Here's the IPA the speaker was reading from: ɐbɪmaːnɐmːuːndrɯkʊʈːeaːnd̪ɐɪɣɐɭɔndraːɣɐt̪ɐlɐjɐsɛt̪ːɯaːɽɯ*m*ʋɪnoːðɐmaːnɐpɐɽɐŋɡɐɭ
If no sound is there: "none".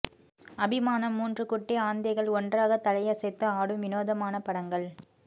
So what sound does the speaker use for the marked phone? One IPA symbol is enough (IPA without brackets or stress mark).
m